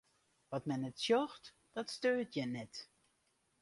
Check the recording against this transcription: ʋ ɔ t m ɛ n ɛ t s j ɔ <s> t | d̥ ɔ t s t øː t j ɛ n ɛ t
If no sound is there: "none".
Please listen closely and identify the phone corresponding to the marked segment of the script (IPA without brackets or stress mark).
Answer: x